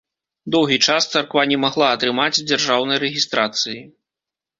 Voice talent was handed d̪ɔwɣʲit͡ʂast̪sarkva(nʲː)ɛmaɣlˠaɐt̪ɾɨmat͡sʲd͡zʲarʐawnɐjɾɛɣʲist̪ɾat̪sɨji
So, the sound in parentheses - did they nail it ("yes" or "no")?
no